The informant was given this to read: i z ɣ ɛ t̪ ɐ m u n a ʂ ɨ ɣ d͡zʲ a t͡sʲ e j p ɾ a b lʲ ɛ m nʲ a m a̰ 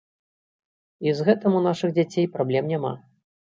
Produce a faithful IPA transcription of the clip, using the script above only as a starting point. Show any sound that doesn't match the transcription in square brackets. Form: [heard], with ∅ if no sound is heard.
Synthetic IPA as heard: i z ɣ ɛ t̪ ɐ m u n a ʂ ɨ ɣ d͡zʲ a t͡sʲ e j p ɾ a b lʲ ɛ m nʲ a m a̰